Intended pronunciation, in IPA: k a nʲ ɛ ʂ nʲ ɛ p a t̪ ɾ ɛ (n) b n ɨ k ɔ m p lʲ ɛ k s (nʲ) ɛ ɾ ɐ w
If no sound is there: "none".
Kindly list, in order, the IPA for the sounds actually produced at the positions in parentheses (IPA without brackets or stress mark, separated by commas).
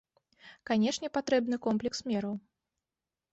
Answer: none, mʲ